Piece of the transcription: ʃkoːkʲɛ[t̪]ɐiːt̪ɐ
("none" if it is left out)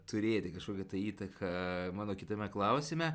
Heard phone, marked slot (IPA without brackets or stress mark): t̪